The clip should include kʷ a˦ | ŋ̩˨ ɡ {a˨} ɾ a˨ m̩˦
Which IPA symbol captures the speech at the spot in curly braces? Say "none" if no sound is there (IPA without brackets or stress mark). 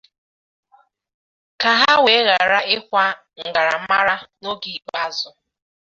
a˨